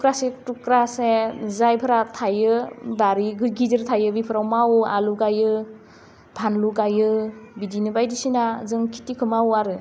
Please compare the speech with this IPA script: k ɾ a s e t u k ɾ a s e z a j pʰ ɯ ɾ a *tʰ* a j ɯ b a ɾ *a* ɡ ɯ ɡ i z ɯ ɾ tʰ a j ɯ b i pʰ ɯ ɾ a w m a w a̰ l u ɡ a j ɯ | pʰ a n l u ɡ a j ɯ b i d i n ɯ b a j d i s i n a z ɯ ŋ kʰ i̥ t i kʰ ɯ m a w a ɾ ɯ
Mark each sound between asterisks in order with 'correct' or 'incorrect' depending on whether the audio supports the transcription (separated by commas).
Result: correct, incorrect